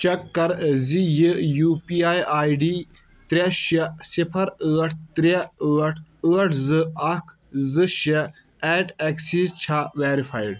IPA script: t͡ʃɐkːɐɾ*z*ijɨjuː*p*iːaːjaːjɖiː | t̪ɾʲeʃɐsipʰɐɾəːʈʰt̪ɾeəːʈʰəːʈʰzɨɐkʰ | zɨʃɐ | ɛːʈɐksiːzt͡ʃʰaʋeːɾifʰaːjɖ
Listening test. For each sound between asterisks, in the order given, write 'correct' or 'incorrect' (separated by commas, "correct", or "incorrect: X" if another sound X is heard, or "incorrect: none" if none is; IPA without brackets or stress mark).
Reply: correct, correct